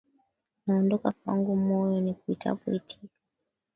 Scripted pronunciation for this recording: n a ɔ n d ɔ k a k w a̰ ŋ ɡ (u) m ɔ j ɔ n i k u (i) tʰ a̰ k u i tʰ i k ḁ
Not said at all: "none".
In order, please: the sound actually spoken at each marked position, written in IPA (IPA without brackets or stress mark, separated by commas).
u, i